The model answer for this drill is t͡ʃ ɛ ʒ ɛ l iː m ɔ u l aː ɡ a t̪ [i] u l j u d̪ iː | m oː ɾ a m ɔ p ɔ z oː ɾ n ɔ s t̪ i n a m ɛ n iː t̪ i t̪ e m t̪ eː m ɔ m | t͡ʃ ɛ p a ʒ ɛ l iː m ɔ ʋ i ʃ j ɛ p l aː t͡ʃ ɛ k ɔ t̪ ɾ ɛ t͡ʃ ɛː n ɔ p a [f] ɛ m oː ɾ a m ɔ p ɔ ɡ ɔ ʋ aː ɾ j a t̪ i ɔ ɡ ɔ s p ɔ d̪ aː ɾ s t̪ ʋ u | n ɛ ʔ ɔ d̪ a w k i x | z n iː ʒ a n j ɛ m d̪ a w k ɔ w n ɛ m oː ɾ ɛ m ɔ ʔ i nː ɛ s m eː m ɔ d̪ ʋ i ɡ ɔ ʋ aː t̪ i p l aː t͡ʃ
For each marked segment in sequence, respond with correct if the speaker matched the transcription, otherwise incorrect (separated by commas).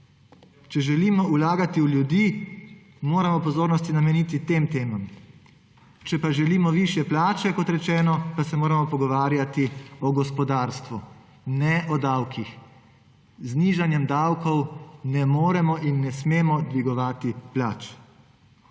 correct, incorrect